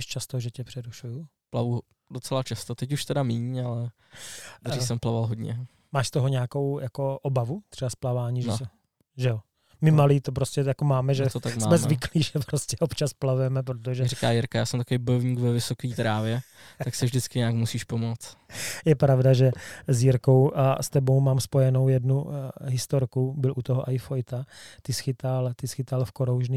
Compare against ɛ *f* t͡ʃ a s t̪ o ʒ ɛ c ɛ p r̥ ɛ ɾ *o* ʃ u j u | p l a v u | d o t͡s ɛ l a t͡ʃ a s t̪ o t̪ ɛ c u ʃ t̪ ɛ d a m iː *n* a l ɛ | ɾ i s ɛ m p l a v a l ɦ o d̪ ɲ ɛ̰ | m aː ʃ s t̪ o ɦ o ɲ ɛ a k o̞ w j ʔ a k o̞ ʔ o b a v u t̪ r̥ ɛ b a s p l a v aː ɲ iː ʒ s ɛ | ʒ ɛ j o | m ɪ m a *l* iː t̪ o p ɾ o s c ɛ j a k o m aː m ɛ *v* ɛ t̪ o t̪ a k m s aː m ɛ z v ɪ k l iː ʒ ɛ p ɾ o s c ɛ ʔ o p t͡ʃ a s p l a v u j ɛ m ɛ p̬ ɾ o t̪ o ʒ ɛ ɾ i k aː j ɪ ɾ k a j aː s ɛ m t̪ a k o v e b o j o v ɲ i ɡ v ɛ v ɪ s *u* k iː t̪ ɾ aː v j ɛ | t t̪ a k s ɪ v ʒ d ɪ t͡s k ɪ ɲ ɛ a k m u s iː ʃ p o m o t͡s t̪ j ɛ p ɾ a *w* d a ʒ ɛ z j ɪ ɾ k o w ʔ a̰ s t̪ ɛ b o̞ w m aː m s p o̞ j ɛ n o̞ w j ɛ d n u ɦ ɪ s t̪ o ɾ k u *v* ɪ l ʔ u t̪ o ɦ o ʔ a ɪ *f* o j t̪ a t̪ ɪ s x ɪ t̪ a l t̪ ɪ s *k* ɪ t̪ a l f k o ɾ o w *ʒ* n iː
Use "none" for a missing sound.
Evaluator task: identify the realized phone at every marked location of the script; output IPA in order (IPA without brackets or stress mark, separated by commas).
ʃ, u, ɲ, l, ʒ, o, v, b, f, x, ʒ